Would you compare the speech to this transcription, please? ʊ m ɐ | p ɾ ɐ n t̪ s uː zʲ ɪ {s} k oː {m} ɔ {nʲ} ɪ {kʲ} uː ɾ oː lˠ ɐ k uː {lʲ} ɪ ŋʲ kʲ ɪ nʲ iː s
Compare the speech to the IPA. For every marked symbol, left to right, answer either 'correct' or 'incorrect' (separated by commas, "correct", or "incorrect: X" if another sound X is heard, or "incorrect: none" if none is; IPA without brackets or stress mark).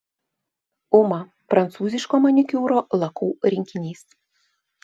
incorrect: ʃ, correct, correct, correct, incorrect: ɾʲ